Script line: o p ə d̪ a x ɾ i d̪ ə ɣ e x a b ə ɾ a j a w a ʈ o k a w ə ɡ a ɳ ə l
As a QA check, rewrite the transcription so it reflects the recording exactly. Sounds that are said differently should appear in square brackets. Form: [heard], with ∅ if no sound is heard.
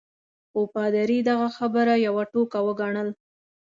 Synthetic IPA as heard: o p [ɑ] d̪ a [∅] ɾ i d̪ [a] ɣ [a] x a b ə ɾ a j a w a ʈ o k a w ə ɡ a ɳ ə l